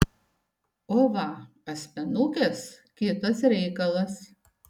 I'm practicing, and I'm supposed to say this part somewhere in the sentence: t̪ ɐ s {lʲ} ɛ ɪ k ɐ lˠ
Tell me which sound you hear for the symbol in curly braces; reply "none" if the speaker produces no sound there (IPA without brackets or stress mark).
ɾʲ